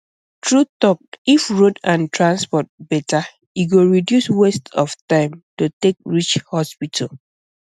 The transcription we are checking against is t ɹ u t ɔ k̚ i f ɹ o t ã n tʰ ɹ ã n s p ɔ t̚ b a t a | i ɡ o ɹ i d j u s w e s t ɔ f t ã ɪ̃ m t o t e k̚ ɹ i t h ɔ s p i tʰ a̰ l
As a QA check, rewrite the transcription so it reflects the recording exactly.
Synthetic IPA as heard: t ɹ u t ɔ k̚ i f ɹ o d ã n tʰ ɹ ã n s p ɔ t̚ b ɛ t a | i ɡ o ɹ i d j u s w e s t ɔ f t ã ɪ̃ m t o t e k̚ ɹ i t͡ʃ h ɔ s p i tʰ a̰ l